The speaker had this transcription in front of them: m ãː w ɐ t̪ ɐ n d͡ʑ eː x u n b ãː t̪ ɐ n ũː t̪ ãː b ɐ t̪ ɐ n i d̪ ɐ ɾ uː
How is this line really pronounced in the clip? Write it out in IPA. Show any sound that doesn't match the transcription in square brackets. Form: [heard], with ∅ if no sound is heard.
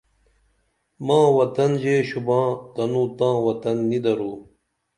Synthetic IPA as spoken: m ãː w ɐ t̪ ɐ n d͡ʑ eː [ɕ] u [∅] b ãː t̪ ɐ n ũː t̪ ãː [w] ɐ t̪ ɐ [nː] i d̪ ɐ ɾ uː